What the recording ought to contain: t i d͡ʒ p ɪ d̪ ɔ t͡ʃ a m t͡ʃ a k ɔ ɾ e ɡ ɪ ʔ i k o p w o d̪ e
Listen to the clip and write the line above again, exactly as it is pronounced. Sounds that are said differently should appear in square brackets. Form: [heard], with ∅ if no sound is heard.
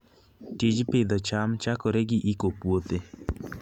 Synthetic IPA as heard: t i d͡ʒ p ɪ d̪ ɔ t͡ʃ a m t͡ʃ a k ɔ ɾ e ɡ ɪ ʔ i k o p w o [t̪] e